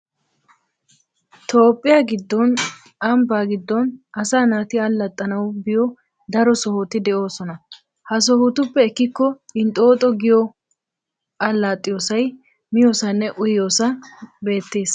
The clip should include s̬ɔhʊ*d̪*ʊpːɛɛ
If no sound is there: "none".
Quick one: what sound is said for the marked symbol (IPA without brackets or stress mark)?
t̪